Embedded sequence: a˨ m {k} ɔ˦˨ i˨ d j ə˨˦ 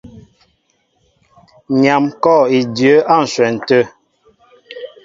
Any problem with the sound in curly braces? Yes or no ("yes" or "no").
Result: no